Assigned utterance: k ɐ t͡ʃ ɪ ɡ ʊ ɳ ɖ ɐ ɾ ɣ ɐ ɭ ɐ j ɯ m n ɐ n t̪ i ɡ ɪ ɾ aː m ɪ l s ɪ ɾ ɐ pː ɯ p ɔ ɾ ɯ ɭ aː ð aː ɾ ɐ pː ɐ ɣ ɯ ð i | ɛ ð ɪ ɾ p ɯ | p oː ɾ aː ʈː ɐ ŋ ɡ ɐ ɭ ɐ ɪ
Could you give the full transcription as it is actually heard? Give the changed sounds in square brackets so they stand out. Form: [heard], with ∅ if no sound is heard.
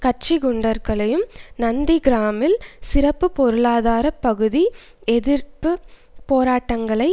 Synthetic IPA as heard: k ɐ t͡ʃ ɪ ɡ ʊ ɳ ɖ ɐ ɾ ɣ ɐ ɭ ɐ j ɯ m n ɐ n [d̪] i ɡ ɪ ɾ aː m ɪ l s ɪ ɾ ɐ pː ɯ p ɔ ɾ ɯ ɭ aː ð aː ɾ ɐ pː ɐ ɣ ɯ ð i | ɛ ð ɪ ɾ p ɯ | p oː ɾ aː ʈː ɐ ŋ ɡ ɐ ɭ ɐ ɪ